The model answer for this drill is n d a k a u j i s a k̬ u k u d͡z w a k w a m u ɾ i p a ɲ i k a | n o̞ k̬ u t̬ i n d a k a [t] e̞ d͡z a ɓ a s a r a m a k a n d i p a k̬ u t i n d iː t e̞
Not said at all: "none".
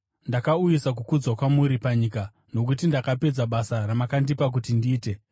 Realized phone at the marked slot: p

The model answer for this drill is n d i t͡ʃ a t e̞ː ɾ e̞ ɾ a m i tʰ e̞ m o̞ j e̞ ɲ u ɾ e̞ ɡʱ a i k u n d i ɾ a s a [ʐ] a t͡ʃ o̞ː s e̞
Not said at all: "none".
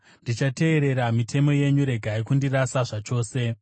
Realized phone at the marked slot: ʐ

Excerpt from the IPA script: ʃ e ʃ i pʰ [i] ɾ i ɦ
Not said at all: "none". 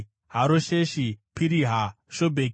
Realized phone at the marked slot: i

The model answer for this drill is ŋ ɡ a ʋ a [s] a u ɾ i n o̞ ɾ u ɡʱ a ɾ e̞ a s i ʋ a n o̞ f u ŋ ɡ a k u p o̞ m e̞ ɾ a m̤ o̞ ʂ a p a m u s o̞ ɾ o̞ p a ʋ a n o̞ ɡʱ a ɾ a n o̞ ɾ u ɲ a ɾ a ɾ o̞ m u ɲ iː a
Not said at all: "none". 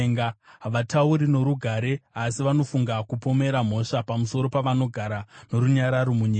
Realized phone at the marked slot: t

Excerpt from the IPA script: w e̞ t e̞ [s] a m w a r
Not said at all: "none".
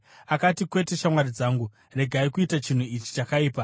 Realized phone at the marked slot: ʃ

